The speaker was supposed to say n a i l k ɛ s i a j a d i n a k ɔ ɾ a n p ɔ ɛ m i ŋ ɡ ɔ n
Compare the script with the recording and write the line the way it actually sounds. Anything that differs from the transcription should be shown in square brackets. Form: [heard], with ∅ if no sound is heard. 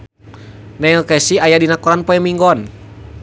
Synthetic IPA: n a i l k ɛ s i a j a d i n a k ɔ ɾ a n p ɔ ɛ m i ŋ ɡ ɔ n